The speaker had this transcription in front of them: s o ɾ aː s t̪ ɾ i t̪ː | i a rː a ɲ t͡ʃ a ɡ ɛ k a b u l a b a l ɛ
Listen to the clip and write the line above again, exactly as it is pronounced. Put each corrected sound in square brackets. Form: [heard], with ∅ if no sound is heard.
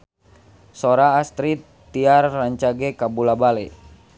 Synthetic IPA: s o ɾ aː s t̪ ɾ i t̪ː | i a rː a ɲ t͡ʃ a ɡ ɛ k a b u l a b a l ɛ

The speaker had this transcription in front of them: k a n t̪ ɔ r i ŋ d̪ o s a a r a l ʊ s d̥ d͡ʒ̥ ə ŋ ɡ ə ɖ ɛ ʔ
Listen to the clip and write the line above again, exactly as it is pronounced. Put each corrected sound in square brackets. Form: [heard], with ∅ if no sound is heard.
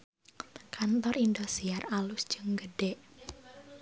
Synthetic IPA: k a n t̪ ɔ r i [n] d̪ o s [i] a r a l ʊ s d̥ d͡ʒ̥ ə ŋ ɡ ə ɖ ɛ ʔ

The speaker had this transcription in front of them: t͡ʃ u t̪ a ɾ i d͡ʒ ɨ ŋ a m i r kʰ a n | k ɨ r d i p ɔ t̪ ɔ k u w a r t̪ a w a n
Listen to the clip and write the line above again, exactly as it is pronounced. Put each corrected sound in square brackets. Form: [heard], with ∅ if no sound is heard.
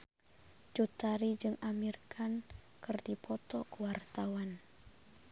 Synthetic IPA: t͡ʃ u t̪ a ɾ i d͡ʒ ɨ ŋ a m i r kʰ a n | k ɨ r d i p ɔ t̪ ɔ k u w a r t̪ a w a n

